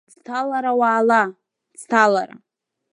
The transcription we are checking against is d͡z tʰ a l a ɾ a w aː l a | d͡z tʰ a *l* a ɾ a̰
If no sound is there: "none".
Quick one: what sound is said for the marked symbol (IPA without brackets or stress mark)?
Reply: l